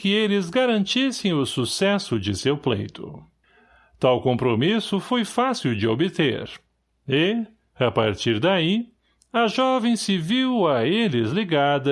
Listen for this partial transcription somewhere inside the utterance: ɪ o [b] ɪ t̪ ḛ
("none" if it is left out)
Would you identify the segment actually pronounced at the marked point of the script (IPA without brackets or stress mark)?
b